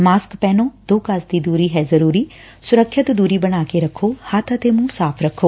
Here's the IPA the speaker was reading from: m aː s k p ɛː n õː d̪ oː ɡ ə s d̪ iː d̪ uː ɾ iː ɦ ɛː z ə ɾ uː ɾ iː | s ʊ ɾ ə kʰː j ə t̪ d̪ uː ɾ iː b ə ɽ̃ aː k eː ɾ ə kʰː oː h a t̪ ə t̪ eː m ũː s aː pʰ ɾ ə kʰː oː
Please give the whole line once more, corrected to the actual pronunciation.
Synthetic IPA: m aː s k p ɛː n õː d̪ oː k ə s d̪ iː d̪ uː ɾ iː ɦ ɛː z ə ɾ uː ɾ iː | s ʊ ɾ ə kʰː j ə t̪ d̪ uː ɾ iː b ə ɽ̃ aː k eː ɾ ə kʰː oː h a t̪ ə t̪ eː m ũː s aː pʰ ɾ ə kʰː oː